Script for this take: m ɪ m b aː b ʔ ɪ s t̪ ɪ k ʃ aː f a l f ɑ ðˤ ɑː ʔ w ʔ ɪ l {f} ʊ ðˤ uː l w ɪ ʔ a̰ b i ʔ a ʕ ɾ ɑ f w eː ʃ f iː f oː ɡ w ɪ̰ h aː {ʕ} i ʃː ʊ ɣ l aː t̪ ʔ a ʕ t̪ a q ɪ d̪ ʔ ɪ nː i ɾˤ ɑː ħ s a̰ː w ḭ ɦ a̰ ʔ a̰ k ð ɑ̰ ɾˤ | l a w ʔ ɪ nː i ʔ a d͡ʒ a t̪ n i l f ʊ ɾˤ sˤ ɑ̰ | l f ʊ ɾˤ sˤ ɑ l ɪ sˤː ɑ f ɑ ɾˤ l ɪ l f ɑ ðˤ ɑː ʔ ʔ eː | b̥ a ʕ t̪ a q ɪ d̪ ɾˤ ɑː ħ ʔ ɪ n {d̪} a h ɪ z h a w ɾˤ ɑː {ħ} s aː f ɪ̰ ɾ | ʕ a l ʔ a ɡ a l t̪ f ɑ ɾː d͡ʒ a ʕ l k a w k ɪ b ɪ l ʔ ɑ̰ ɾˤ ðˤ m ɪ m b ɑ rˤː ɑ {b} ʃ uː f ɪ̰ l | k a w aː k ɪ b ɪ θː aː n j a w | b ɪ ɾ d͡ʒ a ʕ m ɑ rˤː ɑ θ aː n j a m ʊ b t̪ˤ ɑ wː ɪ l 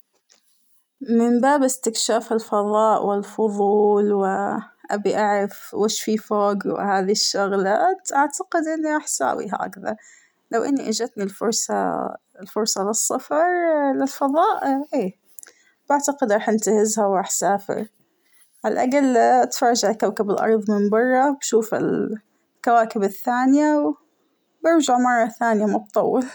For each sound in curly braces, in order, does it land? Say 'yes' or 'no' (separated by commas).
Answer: yes, no, no, yes, yes